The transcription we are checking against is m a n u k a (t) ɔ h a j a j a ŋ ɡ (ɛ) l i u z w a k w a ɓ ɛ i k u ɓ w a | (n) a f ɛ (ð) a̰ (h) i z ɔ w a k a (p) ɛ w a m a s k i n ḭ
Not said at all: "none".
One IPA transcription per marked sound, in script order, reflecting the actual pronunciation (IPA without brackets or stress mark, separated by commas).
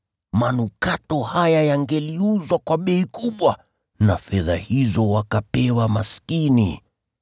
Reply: t, ɛ, n, ð, h, p